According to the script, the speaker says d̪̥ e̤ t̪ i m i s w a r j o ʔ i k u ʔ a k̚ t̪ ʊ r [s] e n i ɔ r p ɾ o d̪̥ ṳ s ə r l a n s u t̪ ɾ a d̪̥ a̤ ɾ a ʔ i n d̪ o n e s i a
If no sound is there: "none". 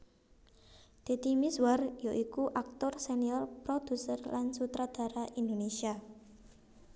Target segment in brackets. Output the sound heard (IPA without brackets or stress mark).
s